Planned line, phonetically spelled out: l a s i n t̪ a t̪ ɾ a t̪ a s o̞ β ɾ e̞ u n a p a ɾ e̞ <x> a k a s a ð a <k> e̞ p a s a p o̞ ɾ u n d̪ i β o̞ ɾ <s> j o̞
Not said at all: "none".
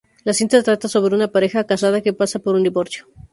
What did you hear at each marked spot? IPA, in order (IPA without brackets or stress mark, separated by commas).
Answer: x, k, s